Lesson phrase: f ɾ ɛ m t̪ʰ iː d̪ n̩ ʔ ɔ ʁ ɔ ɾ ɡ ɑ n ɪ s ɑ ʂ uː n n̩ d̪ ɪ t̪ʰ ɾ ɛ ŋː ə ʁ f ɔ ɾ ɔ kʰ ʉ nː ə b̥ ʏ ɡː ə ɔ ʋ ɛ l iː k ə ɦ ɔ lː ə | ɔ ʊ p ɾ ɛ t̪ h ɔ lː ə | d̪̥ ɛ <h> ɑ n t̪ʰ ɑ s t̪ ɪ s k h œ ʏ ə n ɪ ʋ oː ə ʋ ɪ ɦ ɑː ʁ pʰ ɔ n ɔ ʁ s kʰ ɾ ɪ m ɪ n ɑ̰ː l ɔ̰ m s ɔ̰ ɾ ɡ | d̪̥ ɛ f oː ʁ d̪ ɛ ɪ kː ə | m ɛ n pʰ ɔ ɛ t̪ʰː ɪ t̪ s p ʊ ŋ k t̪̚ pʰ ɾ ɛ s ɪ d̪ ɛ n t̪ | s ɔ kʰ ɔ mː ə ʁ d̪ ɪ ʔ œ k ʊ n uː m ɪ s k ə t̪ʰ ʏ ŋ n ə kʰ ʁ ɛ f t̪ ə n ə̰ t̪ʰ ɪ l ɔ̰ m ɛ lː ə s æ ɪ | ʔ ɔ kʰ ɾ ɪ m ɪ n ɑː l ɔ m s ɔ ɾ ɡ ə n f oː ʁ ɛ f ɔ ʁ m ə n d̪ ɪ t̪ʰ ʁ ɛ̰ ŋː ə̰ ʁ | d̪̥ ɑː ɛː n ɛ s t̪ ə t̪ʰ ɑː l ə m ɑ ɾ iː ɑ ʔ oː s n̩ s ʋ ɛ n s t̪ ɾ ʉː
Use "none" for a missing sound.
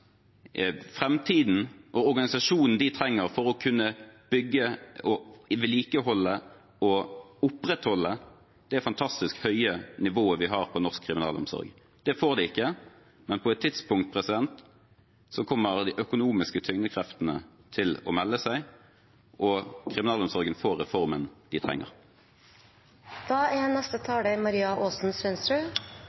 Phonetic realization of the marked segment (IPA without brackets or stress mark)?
f